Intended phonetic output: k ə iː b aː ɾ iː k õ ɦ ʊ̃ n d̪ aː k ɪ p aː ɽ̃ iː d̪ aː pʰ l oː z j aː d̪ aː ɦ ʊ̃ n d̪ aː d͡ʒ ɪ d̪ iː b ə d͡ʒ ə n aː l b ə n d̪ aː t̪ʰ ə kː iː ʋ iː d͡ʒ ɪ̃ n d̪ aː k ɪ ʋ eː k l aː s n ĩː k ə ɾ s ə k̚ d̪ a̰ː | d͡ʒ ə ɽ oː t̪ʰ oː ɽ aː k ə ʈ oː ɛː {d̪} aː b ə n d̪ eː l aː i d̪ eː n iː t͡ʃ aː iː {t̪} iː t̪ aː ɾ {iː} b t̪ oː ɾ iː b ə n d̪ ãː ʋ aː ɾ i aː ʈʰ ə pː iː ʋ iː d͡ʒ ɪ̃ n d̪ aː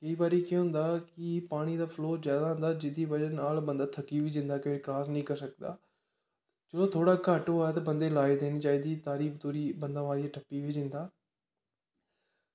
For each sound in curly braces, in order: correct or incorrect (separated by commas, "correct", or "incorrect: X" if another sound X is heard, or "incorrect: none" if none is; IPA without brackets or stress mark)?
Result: incorrect: t̪, incorrect: d̪, correct